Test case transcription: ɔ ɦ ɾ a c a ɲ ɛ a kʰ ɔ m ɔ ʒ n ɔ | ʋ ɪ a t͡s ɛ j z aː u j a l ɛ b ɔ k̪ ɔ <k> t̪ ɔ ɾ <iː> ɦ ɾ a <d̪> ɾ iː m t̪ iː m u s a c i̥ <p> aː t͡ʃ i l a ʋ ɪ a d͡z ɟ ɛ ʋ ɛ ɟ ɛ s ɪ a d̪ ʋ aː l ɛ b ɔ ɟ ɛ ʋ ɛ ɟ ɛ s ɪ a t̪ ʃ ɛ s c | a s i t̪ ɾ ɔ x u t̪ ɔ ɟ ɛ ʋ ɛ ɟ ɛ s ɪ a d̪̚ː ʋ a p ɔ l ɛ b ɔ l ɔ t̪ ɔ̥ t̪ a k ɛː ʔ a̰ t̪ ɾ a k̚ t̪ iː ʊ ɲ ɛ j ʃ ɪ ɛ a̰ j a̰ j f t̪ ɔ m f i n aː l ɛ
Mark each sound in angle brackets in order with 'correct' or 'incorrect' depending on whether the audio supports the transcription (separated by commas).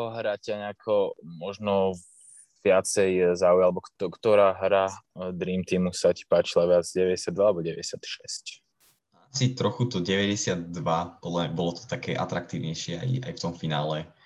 correct, incorrect, correct, correct